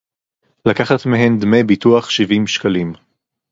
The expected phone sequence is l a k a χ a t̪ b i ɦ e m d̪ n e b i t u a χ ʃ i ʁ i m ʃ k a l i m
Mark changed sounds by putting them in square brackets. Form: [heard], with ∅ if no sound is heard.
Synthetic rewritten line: l a k a χ a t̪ [m] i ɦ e [n] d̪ [m] e b i t u a χ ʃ i [v] i m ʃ k a l i m